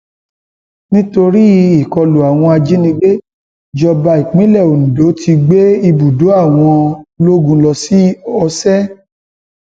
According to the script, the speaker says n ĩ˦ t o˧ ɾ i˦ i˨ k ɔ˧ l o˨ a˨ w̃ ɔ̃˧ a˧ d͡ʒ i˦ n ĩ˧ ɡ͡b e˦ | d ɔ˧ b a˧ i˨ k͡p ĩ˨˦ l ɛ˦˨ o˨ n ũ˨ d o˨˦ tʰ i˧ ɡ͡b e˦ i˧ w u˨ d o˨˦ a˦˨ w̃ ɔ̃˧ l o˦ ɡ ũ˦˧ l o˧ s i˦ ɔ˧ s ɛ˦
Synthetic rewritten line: n ĩ˦ t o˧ ɾ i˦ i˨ k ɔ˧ l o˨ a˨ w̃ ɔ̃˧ a˧ d͡ʒ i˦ n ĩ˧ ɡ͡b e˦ | d͡ʒ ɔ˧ b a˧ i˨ k͡p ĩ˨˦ l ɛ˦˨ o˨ n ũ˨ d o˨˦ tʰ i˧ ɡ͡b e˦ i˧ b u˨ d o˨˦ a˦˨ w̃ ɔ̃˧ l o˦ ɡ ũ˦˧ l ɔ˧ s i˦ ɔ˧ s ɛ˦